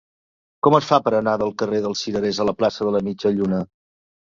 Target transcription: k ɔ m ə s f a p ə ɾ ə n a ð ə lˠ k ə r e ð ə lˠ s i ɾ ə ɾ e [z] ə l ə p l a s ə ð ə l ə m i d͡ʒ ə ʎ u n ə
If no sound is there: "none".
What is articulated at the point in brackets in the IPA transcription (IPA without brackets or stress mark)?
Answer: z